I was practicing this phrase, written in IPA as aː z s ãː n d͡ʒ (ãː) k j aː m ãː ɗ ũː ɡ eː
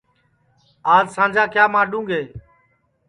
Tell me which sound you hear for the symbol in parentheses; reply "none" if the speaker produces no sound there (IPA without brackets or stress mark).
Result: aː